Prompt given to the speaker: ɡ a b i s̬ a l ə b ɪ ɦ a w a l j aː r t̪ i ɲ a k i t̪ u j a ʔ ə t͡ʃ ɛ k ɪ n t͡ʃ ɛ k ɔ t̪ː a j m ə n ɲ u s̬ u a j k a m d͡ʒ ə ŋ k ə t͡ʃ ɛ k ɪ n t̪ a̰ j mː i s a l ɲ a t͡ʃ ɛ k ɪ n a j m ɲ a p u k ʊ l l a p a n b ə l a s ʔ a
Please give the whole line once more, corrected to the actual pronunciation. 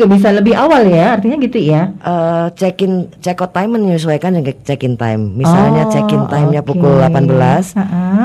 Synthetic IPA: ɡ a b i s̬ a l ə b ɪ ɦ a w a l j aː r t̪ i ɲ a ɡ i t̪ u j a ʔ ə t͡ʃ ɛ k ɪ n t͡ʃ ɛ k ɔ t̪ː a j m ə n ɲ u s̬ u a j k a n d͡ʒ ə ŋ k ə t͡ʃ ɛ k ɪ n t̪ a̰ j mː i s a l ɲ a t͡ʃ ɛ k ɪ n a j m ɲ a p u k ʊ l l a p a n b ə l a s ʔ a